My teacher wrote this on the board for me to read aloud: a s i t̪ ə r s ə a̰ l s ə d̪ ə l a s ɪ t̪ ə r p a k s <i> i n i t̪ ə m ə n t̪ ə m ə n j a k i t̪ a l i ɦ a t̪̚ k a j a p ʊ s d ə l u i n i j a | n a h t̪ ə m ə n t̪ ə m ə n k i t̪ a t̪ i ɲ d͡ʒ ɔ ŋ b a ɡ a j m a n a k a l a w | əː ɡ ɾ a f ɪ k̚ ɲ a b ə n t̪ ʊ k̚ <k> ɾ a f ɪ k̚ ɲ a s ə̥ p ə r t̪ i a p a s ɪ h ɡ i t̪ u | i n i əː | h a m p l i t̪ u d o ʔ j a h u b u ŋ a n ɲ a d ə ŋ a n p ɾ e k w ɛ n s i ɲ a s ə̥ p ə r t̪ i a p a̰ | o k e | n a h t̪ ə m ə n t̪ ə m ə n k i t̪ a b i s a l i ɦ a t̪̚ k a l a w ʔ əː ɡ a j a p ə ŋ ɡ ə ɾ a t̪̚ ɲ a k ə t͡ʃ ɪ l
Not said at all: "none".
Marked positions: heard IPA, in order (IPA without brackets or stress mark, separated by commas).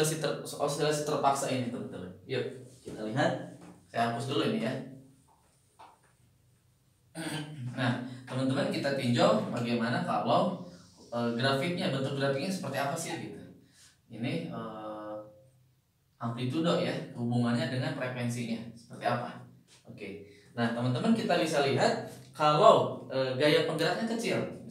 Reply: a, ɡ